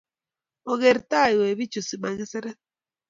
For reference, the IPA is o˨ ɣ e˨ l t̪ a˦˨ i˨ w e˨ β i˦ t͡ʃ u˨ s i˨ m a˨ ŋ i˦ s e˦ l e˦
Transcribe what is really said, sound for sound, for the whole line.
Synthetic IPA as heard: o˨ ɣ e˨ ɾ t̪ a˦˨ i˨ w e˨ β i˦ t͡ʃ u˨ s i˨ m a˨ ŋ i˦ s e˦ ɾ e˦